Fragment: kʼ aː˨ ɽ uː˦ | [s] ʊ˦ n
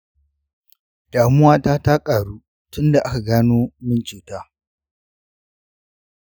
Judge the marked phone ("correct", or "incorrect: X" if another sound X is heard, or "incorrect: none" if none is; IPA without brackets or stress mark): incorrect: t